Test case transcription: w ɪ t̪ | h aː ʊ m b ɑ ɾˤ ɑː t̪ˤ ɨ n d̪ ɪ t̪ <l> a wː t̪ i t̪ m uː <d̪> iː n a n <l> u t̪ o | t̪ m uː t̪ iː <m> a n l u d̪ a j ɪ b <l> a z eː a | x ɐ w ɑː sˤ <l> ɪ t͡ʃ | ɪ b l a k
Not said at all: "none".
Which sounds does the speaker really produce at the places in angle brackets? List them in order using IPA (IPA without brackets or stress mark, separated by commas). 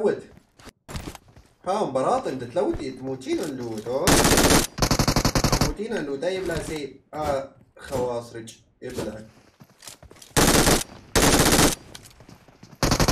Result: l, t̪, l, n, l, ɾ